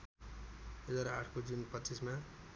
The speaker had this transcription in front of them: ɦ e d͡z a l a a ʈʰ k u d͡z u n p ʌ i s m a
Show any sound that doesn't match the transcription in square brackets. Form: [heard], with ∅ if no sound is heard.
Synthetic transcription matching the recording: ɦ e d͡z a [ɾ] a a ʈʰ k [o] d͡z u n p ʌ i s m a